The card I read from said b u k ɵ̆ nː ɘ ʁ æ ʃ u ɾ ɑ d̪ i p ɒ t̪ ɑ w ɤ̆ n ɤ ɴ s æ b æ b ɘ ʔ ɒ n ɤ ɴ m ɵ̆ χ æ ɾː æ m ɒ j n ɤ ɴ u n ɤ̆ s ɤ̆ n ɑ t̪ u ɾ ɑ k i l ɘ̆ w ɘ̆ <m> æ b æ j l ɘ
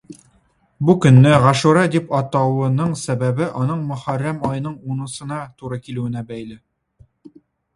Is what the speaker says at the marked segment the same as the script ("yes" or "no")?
no